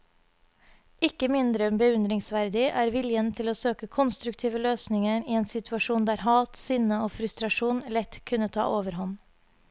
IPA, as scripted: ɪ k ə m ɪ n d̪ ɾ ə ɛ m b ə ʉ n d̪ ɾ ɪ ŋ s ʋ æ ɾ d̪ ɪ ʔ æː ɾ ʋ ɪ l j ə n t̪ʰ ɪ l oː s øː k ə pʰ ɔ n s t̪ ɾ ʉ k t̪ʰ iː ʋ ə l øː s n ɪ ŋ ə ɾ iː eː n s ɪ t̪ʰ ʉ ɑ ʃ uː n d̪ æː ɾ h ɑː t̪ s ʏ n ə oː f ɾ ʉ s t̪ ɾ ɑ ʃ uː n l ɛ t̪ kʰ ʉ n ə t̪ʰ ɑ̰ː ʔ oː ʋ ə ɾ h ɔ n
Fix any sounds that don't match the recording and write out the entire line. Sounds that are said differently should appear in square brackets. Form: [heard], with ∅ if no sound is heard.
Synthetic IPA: ɪ k ə m ɪ n d̪ ɾ ə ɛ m b ə ʉ n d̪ ɾ ɪ ŋ s ʋ æ ɾ d̪ ɪ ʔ æː ɾ ʋ ɪ l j ə n t̪ʰ ɪ l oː s øː k ə [kʰ] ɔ n s t̪ ɾ ʉ k t̪ʰ iː ʋ ə l øː s n ɪ ŋ ə ɾ iː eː n s ɪ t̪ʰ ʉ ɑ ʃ uː n d̪ æː ɾ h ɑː t̪ s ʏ n ə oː f ɾ ʉ s t̪ ɾ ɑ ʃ uː n l ɛ t̪ kʰ ʉ n ə t̪ʰ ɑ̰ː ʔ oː ʋ ə ɾ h ɔ n